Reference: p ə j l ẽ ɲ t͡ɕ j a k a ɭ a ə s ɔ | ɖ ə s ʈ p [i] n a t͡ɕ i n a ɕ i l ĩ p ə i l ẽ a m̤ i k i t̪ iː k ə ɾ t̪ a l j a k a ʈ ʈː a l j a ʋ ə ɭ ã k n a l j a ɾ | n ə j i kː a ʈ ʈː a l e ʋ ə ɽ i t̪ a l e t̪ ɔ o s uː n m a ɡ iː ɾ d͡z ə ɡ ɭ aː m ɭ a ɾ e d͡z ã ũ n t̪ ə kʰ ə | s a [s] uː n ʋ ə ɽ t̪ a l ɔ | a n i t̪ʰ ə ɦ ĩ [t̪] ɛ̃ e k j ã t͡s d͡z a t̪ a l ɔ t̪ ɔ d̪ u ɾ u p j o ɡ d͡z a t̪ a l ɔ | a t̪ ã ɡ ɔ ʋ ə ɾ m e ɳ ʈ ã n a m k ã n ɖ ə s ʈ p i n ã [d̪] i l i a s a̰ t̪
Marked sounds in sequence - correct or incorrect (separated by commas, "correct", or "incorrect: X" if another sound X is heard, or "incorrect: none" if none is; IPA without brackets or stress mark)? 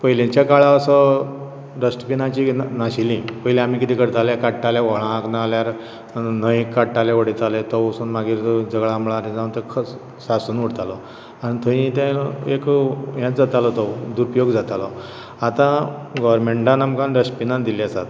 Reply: correct, correct, correct, correct